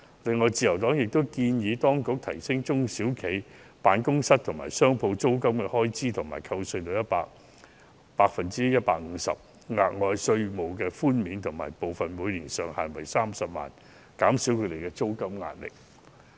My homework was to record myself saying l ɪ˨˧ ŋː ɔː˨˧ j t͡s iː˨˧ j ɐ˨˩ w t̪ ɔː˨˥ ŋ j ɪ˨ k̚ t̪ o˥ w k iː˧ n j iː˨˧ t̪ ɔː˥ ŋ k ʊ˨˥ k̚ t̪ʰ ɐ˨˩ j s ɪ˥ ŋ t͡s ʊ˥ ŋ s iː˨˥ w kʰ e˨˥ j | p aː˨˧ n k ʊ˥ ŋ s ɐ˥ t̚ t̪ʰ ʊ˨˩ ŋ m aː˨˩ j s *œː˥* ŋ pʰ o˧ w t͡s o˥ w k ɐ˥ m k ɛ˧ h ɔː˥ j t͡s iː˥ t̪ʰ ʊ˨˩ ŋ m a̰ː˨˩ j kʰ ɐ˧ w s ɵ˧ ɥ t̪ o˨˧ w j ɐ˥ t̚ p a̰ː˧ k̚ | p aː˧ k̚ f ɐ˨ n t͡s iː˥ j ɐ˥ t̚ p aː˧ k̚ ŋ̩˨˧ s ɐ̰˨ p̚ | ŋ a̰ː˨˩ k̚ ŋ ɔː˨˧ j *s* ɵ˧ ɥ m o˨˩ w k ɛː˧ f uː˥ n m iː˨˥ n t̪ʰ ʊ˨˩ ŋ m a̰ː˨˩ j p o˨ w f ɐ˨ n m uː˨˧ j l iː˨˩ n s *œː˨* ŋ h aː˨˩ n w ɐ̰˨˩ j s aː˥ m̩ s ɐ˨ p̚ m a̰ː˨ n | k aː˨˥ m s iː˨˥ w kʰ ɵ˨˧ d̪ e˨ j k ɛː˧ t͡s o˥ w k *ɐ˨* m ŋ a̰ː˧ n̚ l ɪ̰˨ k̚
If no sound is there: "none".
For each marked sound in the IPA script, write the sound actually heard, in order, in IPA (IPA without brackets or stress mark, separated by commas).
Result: œː˥, s, œː˨, ɐ˥